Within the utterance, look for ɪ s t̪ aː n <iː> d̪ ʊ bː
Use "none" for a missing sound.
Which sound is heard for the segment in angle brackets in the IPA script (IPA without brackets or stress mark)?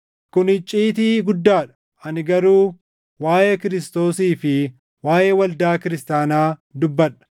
aː